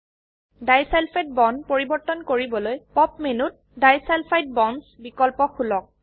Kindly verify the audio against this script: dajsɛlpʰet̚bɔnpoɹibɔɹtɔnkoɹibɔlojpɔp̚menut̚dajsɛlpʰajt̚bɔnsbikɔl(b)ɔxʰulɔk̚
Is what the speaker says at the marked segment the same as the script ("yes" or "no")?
no